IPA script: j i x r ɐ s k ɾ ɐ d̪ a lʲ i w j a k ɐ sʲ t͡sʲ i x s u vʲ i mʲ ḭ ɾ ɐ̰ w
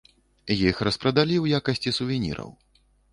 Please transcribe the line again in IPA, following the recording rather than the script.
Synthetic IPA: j i x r ɐ s p ɾ ɐ d̪ a lʲ i w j a k ɐ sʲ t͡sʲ i s u vʲ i nʲ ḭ ɾ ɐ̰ w